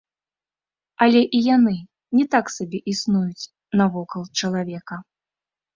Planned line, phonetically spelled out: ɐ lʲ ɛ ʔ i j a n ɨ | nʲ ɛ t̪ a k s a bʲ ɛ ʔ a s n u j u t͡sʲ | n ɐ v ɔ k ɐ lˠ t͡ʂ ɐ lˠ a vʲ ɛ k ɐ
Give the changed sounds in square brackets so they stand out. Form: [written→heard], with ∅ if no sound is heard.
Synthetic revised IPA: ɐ lʲ ɛ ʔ i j a n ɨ | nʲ ɛ t̪ a k s a bʲ ɛ ʔ [a→i] s n u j u t͡sʲ | n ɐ v ɔ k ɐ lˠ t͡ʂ ɐ lˠ a vʲ ɛ k ɐ